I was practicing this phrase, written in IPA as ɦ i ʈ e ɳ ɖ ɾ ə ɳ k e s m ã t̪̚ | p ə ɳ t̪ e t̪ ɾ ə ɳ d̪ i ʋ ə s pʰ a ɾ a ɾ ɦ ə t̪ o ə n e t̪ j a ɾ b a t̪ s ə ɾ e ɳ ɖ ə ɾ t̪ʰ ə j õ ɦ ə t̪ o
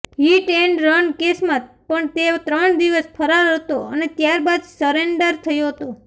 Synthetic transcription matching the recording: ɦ i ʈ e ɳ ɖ ɾ ə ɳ k e s m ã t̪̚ | p ə ɳ t̪ e t̪ ɾ ə ɳ d̪ i ʋ ə s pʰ ə ɾ a ɾ ɦ ə t̪ o ə n e t̪ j a ɾ b a d̪ s ə ɾ e ɳ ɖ ə ɾ t̪ʰ ə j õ ɦ ə t̪ o